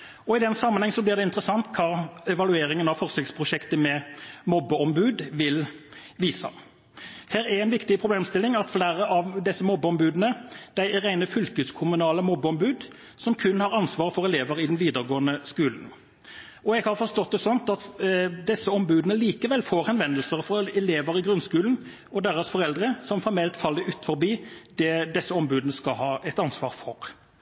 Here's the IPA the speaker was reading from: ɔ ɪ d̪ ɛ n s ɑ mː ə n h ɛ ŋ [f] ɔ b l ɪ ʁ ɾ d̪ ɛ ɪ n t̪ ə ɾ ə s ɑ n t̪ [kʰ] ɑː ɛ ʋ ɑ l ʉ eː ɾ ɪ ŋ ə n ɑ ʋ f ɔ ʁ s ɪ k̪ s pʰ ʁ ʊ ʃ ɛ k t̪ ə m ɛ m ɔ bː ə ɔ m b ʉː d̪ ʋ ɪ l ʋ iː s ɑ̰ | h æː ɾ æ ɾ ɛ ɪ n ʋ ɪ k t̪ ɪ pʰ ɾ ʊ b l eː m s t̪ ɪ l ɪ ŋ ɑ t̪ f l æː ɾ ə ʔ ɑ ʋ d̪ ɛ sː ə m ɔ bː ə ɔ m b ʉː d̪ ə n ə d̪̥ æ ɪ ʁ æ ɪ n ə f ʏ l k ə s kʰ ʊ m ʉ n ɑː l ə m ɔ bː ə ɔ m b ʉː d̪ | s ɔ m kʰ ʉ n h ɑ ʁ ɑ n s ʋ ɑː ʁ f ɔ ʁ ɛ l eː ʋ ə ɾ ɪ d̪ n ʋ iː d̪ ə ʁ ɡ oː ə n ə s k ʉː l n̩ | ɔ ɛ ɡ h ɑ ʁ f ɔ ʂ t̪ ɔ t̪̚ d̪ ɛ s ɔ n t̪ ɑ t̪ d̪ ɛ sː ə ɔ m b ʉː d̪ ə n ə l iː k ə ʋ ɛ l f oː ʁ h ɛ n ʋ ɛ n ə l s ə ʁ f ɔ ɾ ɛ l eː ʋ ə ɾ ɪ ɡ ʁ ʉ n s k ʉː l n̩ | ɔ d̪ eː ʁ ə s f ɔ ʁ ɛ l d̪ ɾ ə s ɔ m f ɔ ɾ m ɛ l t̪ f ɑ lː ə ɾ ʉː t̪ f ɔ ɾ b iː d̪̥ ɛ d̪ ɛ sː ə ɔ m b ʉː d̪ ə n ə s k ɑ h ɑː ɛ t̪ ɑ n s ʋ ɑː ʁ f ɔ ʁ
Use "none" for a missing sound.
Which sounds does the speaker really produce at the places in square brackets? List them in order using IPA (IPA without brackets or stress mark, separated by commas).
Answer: s, kʰ